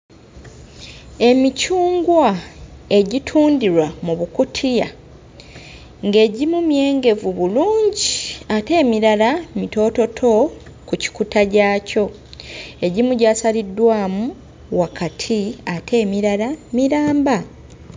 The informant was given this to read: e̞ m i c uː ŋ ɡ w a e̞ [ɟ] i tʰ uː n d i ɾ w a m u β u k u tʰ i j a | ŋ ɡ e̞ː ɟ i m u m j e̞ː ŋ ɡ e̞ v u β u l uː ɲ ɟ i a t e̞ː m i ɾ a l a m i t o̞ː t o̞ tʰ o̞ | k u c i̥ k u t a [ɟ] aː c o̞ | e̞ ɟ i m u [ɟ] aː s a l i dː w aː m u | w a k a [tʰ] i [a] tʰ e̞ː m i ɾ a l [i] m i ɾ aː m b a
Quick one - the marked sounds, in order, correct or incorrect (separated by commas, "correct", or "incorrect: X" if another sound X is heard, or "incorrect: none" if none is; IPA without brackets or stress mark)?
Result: correct, correct, correct, correct, correct, incorrect: a